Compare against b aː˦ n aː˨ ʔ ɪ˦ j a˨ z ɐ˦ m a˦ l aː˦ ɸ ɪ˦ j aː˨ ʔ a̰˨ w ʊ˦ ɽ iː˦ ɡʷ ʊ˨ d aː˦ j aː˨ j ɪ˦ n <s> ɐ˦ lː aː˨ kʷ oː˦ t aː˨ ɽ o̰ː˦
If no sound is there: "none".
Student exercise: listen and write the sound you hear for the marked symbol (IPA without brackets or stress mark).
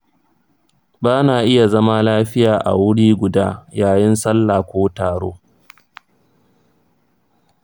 s